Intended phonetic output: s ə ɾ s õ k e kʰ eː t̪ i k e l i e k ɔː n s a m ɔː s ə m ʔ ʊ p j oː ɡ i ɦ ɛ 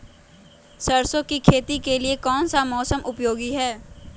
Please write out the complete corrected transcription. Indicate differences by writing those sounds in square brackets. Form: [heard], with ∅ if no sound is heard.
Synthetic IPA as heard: s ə ɾ s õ k [i] kʰ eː t̪ i k e l i e k ɔː n s a m ɔː s ə m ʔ ʊ p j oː ɡ i ɦ [ɛː]

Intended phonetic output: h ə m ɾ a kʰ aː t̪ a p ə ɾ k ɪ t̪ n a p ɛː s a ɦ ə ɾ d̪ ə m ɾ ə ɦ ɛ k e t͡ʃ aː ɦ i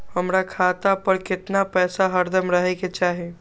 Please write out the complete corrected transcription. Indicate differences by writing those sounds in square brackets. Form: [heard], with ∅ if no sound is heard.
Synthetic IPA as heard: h ə m ɾ a kʰ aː t̪ a p ə ɾ k ɪ t̪ n a p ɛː s a ɦ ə ɾ d̪ ə m ɾ ə ɦ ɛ k e t͡ʃ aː ɦ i

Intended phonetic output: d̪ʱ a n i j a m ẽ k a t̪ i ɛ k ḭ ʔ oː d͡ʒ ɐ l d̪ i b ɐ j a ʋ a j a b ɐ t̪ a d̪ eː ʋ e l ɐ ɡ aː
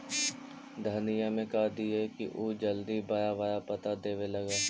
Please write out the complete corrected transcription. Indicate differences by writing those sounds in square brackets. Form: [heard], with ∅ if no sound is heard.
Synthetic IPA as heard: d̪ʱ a n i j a m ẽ k a [d̪] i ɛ k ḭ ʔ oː d͡ʒ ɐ l d̪ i b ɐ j a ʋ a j a [p] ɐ t̪ a d̪ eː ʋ e l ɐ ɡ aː

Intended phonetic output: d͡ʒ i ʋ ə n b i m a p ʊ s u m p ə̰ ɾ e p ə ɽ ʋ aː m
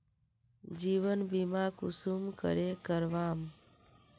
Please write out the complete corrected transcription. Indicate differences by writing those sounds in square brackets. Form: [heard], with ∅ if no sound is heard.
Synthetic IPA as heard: d͡ʒ i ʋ ə n b i m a [k] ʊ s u m [k] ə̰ ɾ e [k] ə [ɾ] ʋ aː m

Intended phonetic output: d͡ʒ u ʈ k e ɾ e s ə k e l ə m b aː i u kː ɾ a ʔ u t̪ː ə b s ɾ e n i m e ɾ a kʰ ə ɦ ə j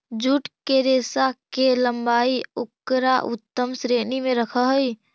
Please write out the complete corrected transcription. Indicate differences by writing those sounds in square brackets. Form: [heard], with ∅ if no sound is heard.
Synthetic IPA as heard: d͡ʒ u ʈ k e ɾ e s [a] k e l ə m b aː i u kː ɾ a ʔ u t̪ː ə [m] s ɾ e n i m e ɾ [ə] kʰ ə ɦ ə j

